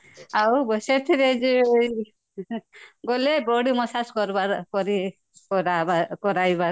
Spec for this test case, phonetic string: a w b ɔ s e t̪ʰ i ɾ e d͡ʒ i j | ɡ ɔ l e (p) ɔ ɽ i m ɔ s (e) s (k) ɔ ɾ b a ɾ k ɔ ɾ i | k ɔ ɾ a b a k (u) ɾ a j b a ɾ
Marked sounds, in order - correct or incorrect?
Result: incorrect: b, incorrect: a, correct, incorrect: ɔ

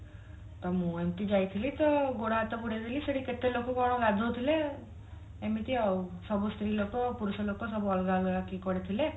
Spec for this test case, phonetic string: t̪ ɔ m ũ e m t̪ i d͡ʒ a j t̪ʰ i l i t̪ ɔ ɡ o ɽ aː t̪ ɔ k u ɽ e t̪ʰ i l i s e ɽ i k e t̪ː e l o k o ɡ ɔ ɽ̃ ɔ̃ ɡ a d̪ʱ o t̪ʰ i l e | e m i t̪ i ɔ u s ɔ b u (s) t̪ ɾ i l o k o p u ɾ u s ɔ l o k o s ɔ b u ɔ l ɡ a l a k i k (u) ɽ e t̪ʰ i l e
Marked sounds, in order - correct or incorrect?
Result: correct, incorrect: ɔ

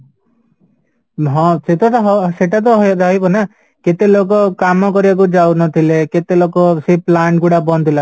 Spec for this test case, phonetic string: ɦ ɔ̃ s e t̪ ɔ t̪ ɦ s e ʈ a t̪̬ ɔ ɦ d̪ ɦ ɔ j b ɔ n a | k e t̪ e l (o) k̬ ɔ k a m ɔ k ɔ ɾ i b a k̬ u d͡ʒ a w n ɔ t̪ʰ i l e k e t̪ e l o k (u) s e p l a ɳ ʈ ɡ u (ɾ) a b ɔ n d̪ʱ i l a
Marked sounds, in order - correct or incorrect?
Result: correct, incorrect: ɔ, incorrect: ɽ

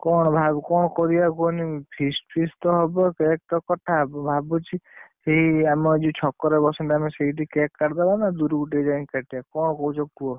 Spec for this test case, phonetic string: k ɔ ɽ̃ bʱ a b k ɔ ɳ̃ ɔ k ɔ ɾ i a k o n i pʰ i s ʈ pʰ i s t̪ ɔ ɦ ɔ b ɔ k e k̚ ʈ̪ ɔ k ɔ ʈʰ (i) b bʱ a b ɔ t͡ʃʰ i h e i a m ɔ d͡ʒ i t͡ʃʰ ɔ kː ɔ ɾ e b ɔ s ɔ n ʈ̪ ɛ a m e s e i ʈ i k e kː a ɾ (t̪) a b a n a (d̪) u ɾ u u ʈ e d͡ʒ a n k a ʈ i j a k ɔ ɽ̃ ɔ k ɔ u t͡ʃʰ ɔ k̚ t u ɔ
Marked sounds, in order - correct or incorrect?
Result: incorrect: a, incorrect: d̪, correct

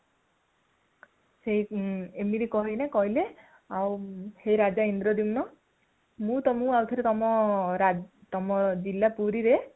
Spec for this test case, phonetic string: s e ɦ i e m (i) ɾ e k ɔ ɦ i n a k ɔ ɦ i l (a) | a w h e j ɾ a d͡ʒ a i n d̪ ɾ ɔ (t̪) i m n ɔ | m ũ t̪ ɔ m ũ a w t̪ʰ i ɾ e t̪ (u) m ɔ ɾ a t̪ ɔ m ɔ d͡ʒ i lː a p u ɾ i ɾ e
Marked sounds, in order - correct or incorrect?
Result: correct, incorrect: e, incorrect: d̪, incorrect: ɔ

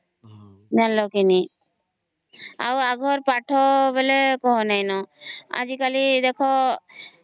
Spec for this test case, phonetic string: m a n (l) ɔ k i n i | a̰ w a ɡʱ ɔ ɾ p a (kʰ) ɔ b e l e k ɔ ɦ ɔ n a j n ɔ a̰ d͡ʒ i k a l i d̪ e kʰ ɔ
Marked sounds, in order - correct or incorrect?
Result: correct, incorrect: ʈʰ

